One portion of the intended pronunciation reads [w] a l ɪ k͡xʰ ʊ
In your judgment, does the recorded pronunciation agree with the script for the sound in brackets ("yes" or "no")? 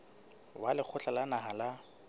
yes